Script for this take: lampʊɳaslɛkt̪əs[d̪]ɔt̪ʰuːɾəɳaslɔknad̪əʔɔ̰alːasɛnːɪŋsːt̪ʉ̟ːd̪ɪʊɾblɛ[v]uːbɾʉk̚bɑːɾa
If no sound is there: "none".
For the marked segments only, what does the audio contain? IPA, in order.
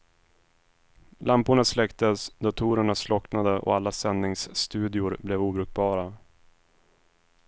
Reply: d̪, v

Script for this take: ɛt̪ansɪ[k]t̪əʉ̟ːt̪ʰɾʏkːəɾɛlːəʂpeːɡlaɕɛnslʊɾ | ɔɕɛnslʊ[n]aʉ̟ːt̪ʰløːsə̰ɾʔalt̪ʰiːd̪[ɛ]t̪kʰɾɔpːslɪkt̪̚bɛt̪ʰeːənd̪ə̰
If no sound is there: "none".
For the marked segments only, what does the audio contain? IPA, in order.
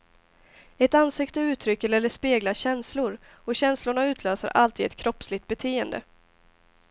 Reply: k, ɳ, ɛ

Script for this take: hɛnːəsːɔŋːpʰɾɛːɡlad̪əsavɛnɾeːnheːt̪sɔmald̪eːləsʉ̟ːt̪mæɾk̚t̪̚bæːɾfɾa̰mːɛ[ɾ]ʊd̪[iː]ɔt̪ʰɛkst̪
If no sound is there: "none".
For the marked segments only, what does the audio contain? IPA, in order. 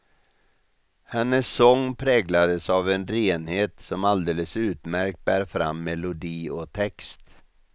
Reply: l, iː

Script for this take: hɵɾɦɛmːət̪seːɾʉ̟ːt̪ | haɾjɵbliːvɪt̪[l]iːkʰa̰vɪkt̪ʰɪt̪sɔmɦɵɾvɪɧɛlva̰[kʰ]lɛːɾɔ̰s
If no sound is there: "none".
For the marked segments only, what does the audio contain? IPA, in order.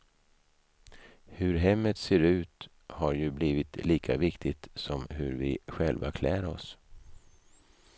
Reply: l, kʰ

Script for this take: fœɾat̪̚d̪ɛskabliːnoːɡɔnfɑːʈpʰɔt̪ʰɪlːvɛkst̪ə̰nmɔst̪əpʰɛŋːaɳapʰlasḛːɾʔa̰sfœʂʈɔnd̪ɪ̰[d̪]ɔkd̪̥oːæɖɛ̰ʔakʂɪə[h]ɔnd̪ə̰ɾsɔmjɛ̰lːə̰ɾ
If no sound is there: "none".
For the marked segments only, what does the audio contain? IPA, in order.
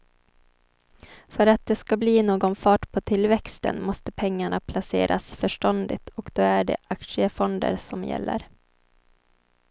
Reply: t̪, f

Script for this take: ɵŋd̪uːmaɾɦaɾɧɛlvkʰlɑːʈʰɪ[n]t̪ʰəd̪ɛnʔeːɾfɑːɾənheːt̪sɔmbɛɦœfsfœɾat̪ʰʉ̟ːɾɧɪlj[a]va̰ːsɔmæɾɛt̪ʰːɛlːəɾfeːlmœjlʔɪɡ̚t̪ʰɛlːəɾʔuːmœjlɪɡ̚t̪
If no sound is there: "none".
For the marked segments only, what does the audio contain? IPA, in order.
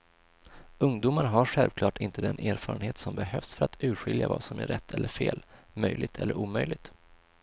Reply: n, a

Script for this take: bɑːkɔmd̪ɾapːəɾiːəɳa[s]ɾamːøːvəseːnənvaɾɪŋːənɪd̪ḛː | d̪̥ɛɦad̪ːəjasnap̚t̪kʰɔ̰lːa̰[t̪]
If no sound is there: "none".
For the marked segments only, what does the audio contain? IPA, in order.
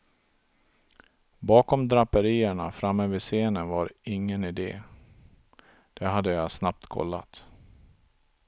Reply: f, t̪

